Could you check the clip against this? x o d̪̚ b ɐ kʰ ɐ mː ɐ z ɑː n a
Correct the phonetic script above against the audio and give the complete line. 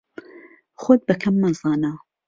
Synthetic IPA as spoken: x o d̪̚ b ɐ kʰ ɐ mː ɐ z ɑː n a